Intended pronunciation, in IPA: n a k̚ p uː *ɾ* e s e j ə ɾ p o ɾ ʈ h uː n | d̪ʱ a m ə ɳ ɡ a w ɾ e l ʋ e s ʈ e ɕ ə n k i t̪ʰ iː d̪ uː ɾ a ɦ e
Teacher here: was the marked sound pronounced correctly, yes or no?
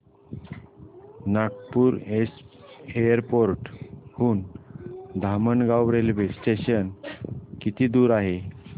yes